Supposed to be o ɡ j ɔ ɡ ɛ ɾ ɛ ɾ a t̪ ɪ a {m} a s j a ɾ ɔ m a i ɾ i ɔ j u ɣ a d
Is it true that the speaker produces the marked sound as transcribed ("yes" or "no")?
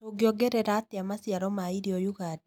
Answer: yes